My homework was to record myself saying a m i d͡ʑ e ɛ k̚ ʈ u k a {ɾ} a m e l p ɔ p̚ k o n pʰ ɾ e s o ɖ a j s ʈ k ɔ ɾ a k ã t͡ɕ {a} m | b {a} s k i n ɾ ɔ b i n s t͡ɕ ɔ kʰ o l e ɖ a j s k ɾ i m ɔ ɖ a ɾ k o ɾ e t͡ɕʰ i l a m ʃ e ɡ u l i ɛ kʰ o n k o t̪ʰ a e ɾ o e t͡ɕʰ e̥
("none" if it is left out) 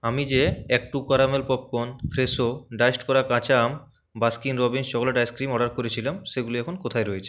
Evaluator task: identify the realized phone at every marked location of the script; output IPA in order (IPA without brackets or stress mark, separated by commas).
ɾ, a, a